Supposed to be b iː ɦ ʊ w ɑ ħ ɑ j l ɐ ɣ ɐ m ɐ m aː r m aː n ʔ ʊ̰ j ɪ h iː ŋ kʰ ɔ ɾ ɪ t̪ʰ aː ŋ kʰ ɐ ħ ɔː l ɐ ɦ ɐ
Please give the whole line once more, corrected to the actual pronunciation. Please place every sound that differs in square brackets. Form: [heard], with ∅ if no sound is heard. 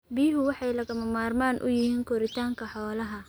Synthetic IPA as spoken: b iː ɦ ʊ w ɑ ħ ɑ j l ɐ ɣ ɐ m ɐ m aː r m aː n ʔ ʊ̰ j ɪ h iː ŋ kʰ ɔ ɾ ɪ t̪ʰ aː ŋ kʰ ɐ ħ ɔː l ɐ ɦ ɐ

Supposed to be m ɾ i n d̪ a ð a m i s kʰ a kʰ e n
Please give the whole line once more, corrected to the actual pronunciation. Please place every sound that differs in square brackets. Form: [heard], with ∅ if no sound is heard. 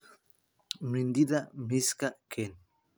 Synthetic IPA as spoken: m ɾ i n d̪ [i] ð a m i s [k] a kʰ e n

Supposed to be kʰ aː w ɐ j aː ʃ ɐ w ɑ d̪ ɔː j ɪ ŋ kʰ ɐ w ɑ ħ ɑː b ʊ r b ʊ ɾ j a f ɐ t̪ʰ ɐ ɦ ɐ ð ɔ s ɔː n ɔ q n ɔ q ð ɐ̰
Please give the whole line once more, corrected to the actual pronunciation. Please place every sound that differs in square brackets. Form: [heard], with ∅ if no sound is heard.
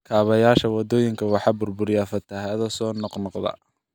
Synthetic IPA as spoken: kʰ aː [β] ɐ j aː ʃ ɐ w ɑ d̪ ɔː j ɪ ŋ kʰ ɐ w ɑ ħ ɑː b ʊ r b ʊ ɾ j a f ɐ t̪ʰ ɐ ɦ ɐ ð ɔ s ɔː n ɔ q n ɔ q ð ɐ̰

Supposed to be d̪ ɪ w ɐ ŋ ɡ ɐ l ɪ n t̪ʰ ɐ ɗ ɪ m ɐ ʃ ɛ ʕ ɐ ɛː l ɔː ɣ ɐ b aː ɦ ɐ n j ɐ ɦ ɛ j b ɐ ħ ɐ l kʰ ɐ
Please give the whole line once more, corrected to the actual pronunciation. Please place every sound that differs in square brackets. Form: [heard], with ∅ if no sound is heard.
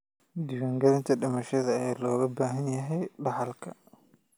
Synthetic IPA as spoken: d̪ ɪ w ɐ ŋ ɡ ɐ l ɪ n t̪ʰ ɐ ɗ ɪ m ɐ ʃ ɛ [ð] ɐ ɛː l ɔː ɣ ɐ b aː ɦ ɐ n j ɐ ɦ ɛ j b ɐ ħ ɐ l kʰ ɐ

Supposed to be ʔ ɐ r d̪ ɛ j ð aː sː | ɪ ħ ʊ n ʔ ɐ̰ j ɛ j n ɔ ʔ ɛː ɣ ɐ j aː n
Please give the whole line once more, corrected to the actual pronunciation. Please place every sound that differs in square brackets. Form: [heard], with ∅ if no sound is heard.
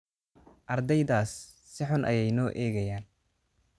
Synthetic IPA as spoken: ʔ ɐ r d̪ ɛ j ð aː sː | ɪ ħ ʊ n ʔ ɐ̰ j ɛ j n [ɔː] ʔ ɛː ɣ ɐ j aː n

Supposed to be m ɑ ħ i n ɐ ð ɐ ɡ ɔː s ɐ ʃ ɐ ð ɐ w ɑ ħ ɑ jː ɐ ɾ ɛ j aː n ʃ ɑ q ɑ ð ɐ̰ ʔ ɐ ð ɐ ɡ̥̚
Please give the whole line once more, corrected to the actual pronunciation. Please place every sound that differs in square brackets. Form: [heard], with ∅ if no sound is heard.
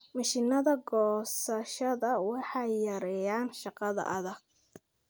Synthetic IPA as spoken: m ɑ [ʃ] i n ɐ ð ɐ ɡ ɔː s ɐ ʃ ɐ ð ɐ w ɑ ħ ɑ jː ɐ ɾ ɛ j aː n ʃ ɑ q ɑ ð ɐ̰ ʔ ɐ ð ɐ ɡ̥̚

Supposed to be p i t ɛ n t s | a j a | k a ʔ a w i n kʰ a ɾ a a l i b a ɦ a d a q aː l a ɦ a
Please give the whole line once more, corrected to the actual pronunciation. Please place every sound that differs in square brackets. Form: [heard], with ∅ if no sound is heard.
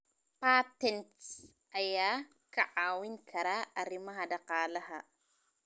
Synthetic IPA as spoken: p [a] t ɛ n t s | a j a | k a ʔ a w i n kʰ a ɾ a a [ɾ] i [m] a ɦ a d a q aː l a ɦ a

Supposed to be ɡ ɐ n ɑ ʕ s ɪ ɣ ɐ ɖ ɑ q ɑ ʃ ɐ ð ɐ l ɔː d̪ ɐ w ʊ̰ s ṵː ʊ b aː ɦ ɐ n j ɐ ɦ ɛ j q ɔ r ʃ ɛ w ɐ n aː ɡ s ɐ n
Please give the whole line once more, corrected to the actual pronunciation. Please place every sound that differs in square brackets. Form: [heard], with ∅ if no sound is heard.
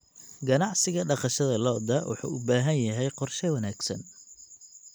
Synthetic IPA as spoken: ɡ ɐ n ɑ ʕ s ɪ ɣ ɐ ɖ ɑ q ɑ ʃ ɐ ð ɐ l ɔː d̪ ɐ w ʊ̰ [ħ] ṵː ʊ b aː ɦ ɐ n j ɐ ɦ ɛ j q ɔ r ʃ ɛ w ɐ n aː ɡ s ɐ n

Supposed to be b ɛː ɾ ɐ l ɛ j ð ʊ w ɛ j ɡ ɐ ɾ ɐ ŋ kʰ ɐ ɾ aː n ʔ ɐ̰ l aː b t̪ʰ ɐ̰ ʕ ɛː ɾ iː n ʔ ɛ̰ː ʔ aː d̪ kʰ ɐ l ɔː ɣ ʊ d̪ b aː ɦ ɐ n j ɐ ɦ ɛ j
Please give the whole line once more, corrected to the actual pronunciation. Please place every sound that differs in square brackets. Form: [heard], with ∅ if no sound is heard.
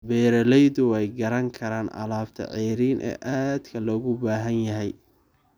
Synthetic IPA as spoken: b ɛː ɾ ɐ l ɛ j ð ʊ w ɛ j ɡ ɐ ɾ ɐ ŋ kʰ ɐ ɾ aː n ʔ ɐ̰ l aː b t̪ʰ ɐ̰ ʕ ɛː ɾ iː n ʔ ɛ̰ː ʔ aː d̪ kʰ ɐ l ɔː ɣ ʊ [∅] b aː ɦ ɐ n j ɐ ɦ ɛ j

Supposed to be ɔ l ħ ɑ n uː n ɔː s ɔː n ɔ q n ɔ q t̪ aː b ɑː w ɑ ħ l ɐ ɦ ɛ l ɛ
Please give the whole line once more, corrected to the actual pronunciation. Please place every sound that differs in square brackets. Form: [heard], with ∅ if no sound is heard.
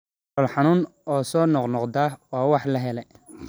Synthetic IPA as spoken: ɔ l ħ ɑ n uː n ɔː s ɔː n ɔ q n ɔ q [d̪] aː [w] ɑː w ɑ ħ l ɐ ɦ ɛ l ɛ

